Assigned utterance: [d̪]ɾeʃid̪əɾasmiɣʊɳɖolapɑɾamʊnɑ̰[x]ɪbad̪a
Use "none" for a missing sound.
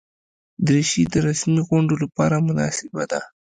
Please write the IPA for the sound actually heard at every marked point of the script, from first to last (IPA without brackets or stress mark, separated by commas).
d̪, s